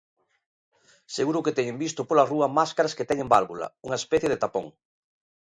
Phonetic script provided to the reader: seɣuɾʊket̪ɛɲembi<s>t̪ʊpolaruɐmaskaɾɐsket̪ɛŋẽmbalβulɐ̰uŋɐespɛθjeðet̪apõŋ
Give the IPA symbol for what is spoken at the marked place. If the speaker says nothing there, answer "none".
s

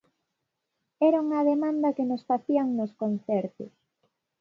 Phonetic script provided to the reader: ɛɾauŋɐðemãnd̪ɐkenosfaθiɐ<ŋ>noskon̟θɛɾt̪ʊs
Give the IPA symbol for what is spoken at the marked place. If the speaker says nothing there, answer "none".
ŋ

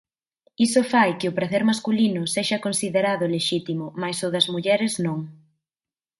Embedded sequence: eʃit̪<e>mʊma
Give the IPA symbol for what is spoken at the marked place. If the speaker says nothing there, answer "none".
i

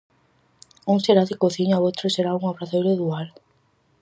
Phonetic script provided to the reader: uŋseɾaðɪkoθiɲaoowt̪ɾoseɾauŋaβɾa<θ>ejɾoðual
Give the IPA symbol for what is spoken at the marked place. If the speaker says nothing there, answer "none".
θ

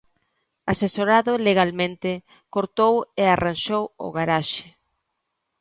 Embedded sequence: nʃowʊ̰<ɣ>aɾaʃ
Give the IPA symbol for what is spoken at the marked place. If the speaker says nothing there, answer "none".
ɣ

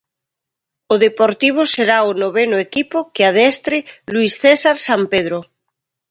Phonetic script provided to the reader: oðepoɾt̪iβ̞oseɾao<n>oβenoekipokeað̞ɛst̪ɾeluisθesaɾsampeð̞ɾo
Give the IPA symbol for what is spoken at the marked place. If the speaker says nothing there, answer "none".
n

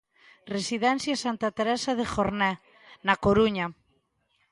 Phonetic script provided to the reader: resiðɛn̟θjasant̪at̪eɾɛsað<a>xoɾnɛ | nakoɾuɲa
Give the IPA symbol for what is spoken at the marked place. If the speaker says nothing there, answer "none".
e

